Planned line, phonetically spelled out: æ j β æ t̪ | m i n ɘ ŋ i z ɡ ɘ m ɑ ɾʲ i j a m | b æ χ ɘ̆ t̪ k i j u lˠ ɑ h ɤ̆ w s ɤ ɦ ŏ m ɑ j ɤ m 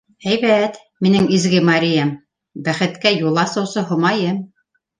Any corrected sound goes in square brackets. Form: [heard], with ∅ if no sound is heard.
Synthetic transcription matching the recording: æ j β æ t̪ | m i n ɘ ŋ i z ɡ ɘ m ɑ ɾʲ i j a m | b æ χ ɘ̆ t̪ k [æ] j u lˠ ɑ [s] ɤ̆ w s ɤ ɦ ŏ m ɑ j ɤ m